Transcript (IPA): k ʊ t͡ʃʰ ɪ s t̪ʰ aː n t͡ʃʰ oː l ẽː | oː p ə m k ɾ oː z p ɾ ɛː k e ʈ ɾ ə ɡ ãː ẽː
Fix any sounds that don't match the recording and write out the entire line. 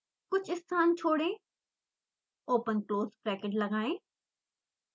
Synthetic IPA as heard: k ʊ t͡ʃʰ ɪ s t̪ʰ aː n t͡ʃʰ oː ɽ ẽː | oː p ə n k l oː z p ɾ ɛː k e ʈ l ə ɡ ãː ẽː